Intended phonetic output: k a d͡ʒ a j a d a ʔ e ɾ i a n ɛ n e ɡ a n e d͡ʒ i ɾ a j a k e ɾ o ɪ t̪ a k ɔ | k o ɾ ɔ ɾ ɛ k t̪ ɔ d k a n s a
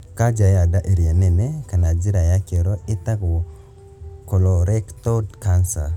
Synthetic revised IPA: k a d͡ʒ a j a d a ʔ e ɾ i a n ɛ n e k a n a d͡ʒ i ɾ a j a k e ɾ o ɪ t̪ a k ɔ | k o l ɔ ɾ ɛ k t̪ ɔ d k a n s a